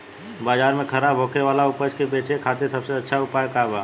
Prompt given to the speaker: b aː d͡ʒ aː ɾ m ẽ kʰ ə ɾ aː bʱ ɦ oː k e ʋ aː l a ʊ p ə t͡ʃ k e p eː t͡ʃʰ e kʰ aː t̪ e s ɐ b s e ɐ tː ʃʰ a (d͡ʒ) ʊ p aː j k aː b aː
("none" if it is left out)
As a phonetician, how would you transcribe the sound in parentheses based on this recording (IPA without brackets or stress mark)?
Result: none